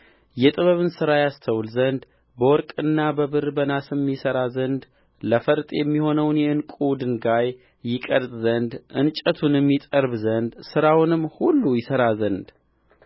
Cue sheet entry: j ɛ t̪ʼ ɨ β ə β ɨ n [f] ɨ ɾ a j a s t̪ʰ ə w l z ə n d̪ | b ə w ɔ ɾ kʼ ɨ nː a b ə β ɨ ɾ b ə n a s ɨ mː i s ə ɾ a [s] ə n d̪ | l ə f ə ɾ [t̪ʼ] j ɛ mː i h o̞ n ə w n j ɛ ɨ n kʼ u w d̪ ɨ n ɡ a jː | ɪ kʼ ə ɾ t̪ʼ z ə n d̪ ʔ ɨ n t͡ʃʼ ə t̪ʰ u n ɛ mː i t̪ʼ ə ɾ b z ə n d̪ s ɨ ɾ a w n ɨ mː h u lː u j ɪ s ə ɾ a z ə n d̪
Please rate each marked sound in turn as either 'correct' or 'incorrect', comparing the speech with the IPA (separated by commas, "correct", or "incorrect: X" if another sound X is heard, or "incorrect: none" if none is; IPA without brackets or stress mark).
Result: incorrect: s, incorrect: z, correct